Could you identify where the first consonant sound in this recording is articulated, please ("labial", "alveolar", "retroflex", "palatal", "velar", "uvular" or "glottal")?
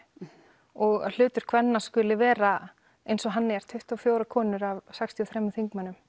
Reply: velar